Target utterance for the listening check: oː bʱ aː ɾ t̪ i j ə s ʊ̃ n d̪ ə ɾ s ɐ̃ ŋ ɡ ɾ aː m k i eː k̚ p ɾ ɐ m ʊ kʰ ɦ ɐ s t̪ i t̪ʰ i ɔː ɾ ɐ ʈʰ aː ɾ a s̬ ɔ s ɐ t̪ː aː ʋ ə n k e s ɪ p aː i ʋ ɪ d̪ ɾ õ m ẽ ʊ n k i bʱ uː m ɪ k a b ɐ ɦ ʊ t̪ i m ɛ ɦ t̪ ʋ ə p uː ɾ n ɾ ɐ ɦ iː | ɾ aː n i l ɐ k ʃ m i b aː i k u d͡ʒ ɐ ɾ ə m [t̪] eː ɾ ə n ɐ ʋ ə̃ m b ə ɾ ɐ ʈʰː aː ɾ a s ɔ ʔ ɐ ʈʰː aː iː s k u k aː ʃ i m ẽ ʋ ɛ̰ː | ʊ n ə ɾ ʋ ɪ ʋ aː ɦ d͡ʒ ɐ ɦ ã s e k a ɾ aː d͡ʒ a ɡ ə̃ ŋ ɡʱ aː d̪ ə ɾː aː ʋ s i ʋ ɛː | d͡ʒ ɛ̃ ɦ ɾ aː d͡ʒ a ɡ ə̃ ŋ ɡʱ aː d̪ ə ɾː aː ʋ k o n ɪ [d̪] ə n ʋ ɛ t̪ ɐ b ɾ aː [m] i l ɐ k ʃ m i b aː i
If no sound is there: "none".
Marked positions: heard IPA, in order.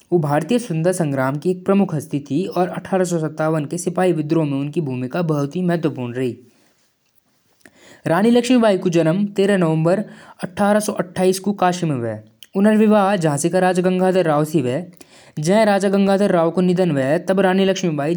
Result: t̪, d̪, n

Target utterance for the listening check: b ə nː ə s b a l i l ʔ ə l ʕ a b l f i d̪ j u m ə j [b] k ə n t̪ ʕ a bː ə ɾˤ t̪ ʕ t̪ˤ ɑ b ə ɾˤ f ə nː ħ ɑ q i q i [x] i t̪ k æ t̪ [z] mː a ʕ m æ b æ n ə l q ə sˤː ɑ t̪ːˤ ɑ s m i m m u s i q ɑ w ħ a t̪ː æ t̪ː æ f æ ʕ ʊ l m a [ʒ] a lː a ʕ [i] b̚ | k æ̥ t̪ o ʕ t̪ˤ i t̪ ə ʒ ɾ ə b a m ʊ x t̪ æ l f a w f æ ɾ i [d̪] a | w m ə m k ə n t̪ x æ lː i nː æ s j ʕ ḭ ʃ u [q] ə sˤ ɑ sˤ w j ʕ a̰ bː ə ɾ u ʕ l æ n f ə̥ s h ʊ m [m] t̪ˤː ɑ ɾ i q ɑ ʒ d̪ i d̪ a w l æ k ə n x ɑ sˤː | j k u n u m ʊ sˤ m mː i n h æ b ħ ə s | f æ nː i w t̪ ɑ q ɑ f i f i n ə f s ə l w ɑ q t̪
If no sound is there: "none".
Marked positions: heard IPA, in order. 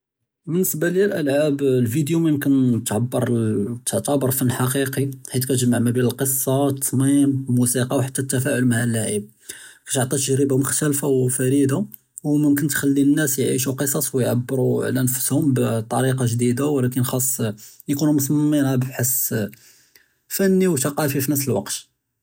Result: m, ħ, ʒ, ʕ, i, d̪, q, b

